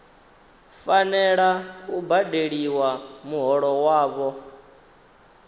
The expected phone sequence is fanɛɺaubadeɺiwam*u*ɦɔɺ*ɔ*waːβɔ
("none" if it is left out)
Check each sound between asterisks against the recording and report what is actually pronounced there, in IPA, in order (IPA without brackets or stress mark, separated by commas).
u, ɔ